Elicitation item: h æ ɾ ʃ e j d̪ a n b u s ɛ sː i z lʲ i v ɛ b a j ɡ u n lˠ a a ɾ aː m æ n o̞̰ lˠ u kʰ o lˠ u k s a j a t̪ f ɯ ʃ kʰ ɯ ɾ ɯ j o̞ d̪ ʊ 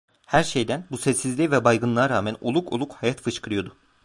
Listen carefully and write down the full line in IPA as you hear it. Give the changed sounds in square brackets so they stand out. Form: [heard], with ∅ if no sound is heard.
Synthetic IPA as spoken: h æ ɾ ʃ e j d̪ [æ] n b u s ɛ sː i z lʲ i v ɛ b a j ɡ [ɯ] n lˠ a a ɾ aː m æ n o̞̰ lˠ u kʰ o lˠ u k [h] a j a t̪ f ɯ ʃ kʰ ɯ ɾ ɯ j o̞ d̪ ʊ